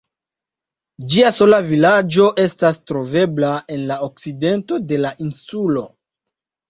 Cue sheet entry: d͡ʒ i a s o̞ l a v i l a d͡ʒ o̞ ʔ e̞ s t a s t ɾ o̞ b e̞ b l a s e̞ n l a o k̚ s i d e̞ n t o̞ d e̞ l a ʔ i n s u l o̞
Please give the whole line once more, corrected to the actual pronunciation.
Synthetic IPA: d͡ʒ i a s o̞ l a v i l a d͡ʒ o̞ ʔ e̞ s t a s t ɾ o̞ v e̞ b l a e̞ n l a o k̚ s i d e̞ n t o̞ d e̞ l a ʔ i n s u l o̞